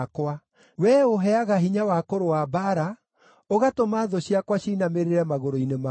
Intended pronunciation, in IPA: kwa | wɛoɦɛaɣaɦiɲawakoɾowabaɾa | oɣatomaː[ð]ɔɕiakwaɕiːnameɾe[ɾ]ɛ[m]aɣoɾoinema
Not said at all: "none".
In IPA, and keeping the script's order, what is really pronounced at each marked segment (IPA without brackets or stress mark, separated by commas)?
ð, ɾ, m